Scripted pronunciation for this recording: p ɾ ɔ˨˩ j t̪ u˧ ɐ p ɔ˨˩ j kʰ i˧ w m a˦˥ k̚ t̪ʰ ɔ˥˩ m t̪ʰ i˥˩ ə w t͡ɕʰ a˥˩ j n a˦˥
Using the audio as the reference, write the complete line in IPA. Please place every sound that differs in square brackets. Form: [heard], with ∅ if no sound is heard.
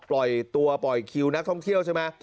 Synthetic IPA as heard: p [l] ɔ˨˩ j t̪ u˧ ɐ p ɔ˨˩ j kʰ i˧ w [n] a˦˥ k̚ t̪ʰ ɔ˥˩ [ŋ] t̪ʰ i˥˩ ə w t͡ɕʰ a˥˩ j [m] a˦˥